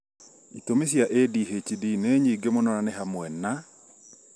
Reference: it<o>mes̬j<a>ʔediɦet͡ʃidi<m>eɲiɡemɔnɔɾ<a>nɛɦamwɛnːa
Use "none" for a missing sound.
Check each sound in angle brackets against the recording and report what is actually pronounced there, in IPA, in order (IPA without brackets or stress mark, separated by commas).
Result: o, a, n, a